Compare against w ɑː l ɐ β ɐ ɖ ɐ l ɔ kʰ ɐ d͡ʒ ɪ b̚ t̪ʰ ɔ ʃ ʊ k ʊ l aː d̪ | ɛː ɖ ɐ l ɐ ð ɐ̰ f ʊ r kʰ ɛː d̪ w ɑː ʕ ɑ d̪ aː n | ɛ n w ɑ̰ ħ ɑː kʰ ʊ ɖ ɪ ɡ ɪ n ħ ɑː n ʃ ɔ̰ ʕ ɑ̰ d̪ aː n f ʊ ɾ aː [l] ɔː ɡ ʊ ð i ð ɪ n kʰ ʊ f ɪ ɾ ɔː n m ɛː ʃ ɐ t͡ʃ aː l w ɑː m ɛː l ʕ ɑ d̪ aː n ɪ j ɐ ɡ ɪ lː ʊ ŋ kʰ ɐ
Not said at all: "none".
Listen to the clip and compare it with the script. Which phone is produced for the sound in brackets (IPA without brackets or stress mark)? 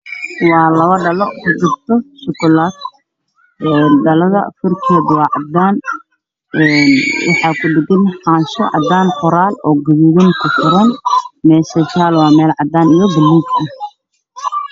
l